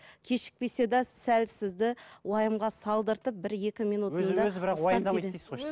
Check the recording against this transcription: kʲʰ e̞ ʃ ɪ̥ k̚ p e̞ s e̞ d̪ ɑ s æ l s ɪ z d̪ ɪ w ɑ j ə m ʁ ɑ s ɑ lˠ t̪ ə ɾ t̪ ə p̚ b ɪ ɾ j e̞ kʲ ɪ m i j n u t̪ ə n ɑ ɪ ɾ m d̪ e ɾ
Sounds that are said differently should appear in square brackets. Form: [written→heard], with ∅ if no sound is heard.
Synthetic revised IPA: kʲʰ e̞ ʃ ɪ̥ k̚ p e̞ s e̞ d̪ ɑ s æ l s ɪ z d̪ ɪ w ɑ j ə m ʁ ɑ s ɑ lˠ [t̪→d̪] ə ɾ t̪ ə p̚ b ɪ ɾ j e̞ kʲ ɪ m i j n u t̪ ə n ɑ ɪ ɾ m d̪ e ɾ